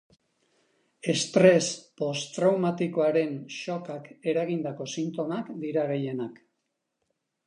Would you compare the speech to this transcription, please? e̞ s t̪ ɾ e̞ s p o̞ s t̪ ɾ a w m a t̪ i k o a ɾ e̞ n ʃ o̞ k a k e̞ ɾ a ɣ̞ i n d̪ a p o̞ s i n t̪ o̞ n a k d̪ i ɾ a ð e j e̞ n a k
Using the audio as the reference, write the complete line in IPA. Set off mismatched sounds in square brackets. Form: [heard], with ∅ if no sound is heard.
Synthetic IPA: e̞ s t̪ ɾ e̞ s p o̞ s t̪ ɾ a w m a t̪ i k o a ɾ e̞ n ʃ o̞ k a k e̞ ɾ a ɣ̞ i n d̪ a [k] o̞ s i n t̪ o̞ [m] a k d̪ i ɾ a [ɣ] e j e̞ n a k